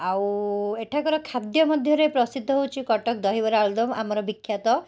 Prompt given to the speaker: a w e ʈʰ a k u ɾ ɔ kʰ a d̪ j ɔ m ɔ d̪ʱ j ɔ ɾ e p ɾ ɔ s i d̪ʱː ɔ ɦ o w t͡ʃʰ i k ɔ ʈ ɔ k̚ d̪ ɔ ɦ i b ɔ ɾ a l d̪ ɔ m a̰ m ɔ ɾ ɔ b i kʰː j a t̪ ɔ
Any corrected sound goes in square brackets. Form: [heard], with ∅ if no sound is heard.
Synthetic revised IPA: a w e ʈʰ a k [ɔ] ɾ ɔ kʰ a d̪ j ɔ m ɔ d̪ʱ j ɔ ɾ e p ɾ ɔ s i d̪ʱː ɔ ɦ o w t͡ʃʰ i k ɔ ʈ ɔ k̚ d̪ ɔ ɦ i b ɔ ɾ a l d̪ ɔ m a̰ m ɔ ɾ ɔ b i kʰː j a t̪ ɔ